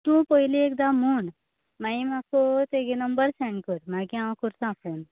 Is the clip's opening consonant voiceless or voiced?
voiceless